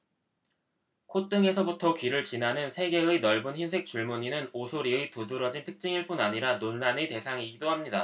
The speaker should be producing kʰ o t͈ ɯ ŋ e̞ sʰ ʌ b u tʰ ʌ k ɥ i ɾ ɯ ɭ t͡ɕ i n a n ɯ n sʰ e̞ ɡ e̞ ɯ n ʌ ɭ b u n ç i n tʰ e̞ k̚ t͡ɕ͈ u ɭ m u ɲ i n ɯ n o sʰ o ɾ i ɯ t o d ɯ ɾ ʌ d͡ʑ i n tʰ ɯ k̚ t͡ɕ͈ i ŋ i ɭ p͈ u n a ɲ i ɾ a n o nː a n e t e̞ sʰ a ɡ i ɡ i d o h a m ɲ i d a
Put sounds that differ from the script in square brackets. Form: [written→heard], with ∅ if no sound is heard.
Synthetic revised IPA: kʰ o t͈ ɯ ŋ e̞ sʰ ʌ b u tʰ ʌ k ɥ i ɾ ɯ ɭ t͡ɕ i n a n ɯ n sʰ e̞ ɡ e̞ ɯ n ʌ ɭ b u n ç i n [tʰ→sʰ] e̞ k̚ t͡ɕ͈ u ɭ m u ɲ i n ɯ n o sʰ o ɾ i ɯ t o d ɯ ɾ ʌ d͡ʑ i n tʰ ɯ k̚ t͡ɕ͈ i ŋ i ɭ p͈ u n a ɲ i ɾ a n o nː a n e t e̞ sʰ a [ɡ→ŋ] i ɡ i d o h a m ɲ i d a